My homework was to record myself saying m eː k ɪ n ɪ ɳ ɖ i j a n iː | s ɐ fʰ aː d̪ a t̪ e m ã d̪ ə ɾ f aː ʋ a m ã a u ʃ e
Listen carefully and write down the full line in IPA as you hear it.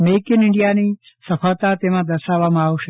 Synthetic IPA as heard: m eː k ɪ n ɪ ɳ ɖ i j a n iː | s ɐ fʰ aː t̪ a t̪ e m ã d̪ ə ɾ ʃ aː ʋ a m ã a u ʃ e

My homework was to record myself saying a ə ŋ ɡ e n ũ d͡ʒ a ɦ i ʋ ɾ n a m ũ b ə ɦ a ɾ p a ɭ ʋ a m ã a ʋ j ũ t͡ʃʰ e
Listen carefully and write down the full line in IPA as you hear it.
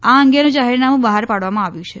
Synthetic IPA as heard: a ə ŋ ɡ e n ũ d͡ʒ a ɦ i ɾ n a m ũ b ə ɦ a ɾ p a ɽ ʋ a m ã a ʋ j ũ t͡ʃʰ e

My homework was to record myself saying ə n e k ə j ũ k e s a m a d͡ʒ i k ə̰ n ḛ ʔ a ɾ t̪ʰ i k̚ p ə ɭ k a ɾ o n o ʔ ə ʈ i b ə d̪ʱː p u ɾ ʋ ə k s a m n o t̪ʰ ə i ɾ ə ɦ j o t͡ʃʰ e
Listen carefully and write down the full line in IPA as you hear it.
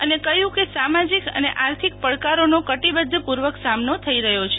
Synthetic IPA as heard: ə n e k ə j ũ k e s a m a d͡ʒ i k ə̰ n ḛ ʔ a ɾ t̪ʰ i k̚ p ə ɭ k a ɾ o n o k ə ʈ i b ə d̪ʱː p u ɾ ʋ ə k s a m n o t̪ʰ ə i ɾ ə ɦ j o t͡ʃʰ e

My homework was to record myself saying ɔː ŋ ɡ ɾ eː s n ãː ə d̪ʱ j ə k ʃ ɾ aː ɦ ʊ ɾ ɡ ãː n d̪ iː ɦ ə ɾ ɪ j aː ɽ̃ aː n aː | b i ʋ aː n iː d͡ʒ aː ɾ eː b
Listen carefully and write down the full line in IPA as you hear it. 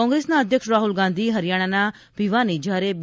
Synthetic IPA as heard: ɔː ŋ ɡ ɾ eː s n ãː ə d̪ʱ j ə k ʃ ɾ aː ɦ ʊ l ɡ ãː n d̪ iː ɦ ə ɾ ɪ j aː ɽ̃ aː n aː | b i ʋ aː n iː d͡ʒ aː ɾ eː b

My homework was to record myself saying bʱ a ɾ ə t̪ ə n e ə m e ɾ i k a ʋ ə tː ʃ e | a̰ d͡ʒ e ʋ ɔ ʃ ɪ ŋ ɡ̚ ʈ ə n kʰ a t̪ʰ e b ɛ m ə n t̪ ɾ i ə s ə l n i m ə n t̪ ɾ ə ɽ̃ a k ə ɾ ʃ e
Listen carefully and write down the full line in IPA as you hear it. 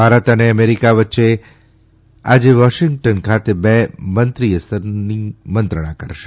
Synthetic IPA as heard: bʱ a ɾ ə t̪ ə n e ə m e ɾ i k a ʋ ə tː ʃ e | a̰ d͡ʒ e ʋ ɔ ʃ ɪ ŋ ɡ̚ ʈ ə n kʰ a t̪ e b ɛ m ə n t̪ ɾ i ə s ə ɾ n i m ə n t̪ ɾ ə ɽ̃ a k ə ɾ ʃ e

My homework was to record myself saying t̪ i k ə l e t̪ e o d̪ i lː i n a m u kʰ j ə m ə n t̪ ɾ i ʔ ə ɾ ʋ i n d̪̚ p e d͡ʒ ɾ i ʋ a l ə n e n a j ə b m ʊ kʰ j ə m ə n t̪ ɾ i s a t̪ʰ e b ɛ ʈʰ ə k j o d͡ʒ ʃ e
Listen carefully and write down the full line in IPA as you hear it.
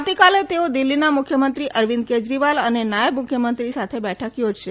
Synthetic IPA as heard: t̪ i k a l e t̪ e o d̪ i lː i n a m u kʰ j ə m ə n t̪ ɾ i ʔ ə ɾ ʋ i n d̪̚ k e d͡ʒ ɾ i ʋ a l ə n e n a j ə b m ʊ kʰ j ə m ə n t̪ ɾ i s a t̪ʰ e b ɛ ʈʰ ə k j o d͡ʒ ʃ e

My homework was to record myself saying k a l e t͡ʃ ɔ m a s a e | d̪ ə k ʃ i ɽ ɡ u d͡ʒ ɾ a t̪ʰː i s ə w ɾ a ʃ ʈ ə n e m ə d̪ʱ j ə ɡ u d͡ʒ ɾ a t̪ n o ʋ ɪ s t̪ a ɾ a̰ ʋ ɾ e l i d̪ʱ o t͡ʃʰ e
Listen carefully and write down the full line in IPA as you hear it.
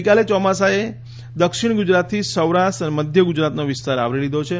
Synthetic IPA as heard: k a l e t͡ʃ ɔ m a s a e | d̪ ə k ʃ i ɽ ɡ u d͡ʒ ɾ a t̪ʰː i s ə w ɾ a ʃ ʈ ə n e m ə d̪ʱ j ə ɡ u d͡ʒ ɾ a t̪ n o ʋ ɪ s t̪ a ɾ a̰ ʋ ɾ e l i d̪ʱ o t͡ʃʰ e

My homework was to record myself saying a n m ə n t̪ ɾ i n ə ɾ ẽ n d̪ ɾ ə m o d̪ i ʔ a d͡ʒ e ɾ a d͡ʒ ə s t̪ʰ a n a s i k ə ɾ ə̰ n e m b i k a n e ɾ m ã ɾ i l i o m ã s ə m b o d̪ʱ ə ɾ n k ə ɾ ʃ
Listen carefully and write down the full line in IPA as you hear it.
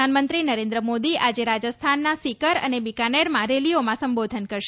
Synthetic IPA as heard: a n m ə n t̪ ɾ i n ə ɾ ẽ n d̪ ɾ ə m o d̪ i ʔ a d͡ʒ e ɾ a d͡ʒ ə s t̪ʰ a nː a s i k ə ɾ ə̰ n e b i k a n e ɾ m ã ɾ e l i o m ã s ə m b o d̪ʱ ə n k ə ɾ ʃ

